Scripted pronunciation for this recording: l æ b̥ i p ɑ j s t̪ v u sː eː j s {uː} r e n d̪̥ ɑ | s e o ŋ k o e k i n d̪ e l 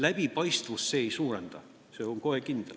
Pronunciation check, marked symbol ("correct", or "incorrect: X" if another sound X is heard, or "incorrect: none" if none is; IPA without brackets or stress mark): correct